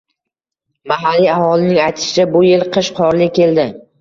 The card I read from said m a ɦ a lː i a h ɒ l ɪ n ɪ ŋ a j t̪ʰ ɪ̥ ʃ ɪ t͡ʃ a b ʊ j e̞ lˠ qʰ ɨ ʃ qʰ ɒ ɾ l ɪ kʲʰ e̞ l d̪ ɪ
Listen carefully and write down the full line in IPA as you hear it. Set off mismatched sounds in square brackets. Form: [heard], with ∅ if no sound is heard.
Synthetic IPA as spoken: m a ɦ a lː i a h ɒ l ɪ n ɪ ŋ a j t̪ʰ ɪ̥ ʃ ɪ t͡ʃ a b ʊ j e̞ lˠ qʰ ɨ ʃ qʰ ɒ ɾ l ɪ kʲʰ e̞ l d̪ ɪ

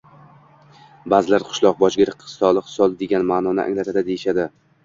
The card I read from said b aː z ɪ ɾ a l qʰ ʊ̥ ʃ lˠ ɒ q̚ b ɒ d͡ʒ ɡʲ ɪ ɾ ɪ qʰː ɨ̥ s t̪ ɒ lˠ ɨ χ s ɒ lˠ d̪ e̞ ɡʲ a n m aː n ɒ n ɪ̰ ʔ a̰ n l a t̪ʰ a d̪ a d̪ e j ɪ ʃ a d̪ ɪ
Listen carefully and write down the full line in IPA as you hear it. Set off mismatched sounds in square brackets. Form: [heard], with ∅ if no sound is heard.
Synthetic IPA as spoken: b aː z ɪ [l] a [ɾ] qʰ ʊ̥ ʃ lˠ ɒ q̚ b ɒ d͡ʒ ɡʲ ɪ ɾ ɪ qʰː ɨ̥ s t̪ ɒ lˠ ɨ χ s ɒ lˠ d̪ e̞ ɡʲ a n m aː n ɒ n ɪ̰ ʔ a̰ [ŋ] l a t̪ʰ a d̪ a d̪ e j ɪ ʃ a d̪ ɪ

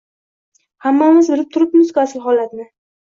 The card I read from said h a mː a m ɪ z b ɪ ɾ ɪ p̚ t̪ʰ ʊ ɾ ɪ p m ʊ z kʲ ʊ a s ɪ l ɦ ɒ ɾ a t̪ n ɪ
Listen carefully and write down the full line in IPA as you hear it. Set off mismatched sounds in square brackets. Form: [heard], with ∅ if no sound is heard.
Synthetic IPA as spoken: h a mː a m ɪ z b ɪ ɾ ɪ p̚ t̪ʰ ʊ ɾ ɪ p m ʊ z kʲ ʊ a s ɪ l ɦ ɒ [l] a t̪ n ɪ

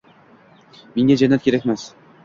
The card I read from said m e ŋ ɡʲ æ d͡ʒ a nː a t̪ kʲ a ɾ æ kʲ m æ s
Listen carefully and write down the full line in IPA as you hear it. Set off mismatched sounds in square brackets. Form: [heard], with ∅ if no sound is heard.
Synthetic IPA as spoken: m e ŋ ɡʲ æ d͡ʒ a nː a t̪ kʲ [e] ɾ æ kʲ m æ s

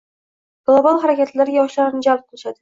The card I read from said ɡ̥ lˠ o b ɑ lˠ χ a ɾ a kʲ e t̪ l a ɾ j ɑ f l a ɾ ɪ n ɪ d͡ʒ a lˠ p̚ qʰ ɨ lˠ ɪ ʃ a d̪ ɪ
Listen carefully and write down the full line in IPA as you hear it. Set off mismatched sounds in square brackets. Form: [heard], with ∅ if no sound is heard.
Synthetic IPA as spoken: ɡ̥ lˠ o b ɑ lˠ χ a ɾ a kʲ [a] t̪ l a ɾ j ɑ [ʃ] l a ɾ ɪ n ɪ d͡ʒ a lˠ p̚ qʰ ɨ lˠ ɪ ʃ a d̪ ɪ

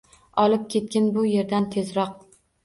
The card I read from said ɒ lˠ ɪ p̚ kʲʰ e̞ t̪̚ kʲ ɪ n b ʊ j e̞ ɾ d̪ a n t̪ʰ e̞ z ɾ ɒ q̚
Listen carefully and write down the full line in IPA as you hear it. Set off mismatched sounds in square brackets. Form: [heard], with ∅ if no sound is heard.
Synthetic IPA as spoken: ɒ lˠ ɪ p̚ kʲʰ e̞ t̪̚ kʲ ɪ n b ʊ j e̞ ɾ d̪ a n t̪ʰ e̞ z ɾ ɒ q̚

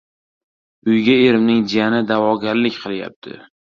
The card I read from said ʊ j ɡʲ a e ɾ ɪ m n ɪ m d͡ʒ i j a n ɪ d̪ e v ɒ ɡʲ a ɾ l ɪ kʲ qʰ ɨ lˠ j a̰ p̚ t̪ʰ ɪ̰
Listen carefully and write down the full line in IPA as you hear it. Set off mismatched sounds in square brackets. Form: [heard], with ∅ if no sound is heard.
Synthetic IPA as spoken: ʊ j ɡʲ a e ɾ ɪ m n ɪ [ŋ] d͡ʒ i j a n ɪ d̪ [a] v ɒ ɡʲ a ɾ l ɪ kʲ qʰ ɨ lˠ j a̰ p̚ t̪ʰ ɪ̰

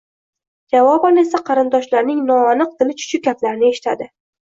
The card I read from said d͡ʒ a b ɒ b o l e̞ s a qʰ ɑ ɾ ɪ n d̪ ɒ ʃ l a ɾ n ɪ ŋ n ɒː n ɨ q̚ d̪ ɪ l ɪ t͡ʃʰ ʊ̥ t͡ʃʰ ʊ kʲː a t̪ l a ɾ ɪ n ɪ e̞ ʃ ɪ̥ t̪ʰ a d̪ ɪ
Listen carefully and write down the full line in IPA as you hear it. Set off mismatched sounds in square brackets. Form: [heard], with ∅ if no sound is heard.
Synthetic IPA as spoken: d͡ʒ a [v] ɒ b [ɒ] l e̞ s a qʰ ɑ ɾ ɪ n d̪ ɒ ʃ l a ɾ n ɪ ŋ n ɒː n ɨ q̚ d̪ ɪ l ɪ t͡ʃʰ ʊ̥ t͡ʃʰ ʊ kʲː a t̪ l a ɾ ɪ n ɪ e̞ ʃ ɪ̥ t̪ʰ a d̪ ɪ

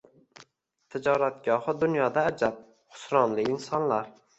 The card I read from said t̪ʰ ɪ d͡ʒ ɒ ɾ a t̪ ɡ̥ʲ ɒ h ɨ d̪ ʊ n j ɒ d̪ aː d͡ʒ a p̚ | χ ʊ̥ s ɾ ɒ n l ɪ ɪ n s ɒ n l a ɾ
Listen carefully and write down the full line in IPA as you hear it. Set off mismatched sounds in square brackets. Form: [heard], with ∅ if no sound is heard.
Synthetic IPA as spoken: t̪ʰ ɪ d͡ʒ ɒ ɾ a t̪ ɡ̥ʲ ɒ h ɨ d̪ ʊ n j ɒ d̪ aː d͡ʒ a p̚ | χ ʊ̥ s ɾ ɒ n l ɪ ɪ n s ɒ n l a ɾ

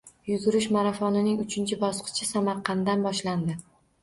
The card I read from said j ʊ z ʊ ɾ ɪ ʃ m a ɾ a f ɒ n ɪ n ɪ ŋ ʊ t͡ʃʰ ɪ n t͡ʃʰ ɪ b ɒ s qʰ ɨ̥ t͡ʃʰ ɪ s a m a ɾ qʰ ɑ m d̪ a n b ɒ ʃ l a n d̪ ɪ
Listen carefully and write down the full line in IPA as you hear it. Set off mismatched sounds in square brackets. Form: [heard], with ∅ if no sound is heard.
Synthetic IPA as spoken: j ʊ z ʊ ɾ ɪ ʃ m a ɾ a f ɒ n ɪ n ɪ ŋ ʊ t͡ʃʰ ɪ n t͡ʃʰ ɪ b ɒ s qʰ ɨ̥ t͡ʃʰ ɪ s a m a ɾ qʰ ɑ [n] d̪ a n b ɒ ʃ l a n d̪ ɪ

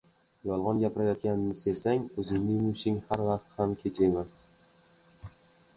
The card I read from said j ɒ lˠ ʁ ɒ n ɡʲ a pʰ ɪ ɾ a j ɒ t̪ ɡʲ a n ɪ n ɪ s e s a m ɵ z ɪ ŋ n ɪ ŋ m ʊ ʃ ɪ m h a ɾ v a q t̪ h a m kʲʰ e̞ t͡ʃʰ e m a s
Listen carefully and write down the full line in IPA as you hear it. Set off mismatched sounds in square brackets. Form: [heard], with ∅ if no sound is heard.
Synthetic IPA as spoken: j ɒ lˠ ʁ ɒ n ɡʲ a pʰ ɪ ɾ a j ɒ t̪ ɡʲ a n ɪ n ɪ s e s a [ŋ] ɵ z ɪ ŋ n ɪ ŋ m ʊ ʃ ɪ [ŋ] h a ɾ v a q t̪ h a m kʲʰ e̞ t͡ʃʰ e m a s

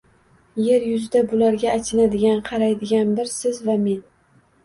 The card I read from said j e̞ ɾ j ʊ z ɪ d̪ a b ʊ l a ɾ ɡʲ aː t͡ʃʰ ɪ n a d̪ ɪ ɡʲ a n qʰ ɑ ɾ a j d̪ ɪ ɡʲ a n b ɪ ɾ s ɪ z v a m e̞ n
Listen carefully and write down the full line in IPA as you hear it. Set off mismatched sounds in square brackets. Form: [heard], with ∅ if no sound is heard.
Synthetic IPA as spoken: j e̞ ɾ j ʊ z ɪ d̪ a b ʊ l a ɾ ɡʲ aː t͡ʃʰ ɪ n a d̪ ɪ ɡʲ a n qʰ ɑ ɾ a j d̪ ɪ ɡʲ a n b ɪ ɾ s ɪ z v a m e̞ n

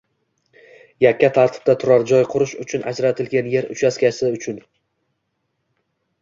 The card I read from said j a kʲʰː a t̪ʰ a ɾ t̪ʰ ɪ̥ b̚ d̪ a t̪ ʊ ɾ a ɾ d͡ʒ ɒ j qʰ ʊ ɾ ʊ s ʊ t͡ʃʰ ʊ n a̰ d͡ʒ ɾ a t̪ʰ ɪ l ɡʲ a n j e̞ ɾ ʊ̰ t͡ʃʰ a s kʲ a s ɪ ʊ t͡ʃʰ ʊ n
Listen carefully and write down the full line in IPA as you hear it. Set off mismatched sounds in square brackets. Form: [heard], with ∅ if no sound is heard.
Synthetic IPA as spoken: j a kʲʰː a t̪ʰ a ɾ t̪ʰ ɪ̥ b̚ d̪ a [t̪ʰ] ʊ ɾ a ɾ d͡ʒ ɒ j qʰ ʊ ɾ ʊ [ʃ] ʊ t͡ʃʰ ʊ n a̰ d͡ʒ ɾ a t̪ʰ ɪ l ɡʲ a n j e̞ ɾ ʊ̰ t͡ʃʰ a s kʲ a s ɪ ʊ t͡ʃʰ ʊ n

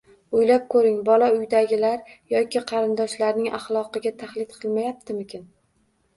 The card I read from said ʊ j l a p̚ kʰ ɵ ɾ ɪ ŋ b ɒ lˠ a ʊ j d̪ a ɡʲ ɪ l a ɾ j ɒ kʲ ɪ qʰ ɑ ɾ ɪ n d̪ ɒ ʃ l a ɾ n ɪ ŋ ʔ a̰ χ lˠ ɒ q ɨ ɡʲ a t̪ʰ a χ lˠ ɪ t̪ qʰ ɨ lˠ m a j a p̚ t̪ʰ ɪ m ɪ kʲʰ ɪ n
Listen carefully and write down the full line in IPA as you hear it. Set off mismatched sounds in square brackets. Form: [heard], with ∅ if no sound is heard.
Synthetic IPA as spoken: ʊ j l a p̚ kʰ ɵ ɾ ɪ ŋ b ɒ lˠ a ʊ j d̪ a ɡʲ ɪ l a ɾ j ɒ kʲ ɪ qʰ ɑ ɾ ɪ n d̪ ɒ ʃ l a ɾ n ɪ ŋ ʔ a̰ χ lˠ ɒ q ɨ ɡʲ a t̪ʰ a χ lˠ ɪ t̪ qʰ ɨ lˠ m a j a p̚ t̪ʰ ɪ m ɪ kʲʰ ɪ n

